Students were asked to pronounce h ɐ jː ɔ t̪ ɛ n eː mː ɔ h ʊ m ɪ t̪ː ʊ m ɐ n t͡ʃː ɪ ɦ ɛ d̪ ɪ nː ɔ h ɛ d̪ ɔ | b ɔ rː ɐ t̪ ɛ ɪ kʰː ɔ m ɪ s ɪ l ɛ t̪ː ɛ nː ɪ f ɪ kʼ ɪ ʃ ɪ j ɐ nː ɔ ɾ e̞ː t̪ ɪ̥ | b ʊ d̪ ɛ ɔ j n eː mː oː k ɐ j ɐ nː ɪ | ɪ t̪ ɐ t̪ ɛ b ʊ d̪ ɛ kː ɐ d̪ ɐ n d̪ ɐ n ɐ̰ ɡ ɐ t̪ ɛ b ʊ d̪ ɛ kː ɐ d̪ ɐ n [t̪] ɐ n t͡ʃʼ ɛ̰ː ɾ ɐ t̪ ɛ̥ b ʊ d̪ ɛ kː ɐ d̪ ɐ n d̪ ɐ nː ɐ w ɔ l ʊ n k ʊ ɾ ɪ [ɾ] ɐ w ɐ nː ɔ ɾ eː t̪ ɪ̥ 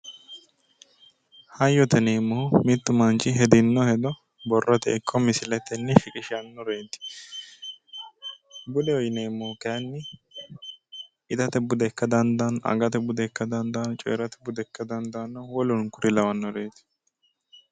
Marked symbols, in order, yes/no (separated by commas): no, no